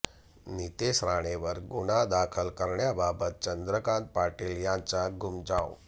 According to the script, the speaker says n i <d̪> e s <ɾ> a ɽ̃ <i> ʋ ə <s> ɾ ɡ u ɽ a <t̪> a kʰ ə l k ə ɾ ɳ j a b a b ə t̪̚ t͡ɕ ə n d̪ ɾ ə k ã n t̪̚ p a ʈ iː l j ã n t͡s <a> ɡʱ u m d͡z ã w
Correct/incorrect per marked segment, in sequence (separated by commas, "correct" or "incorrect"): incorrect, correct, incorrect, incorrect, incorrect, correct